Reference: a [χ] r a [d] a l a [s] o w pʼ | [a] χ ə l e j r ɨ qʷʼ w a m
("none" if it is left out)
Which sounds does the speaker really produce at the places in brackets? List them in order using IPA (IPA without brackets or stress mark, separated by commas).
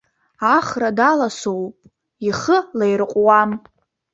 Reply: χ, d, s, i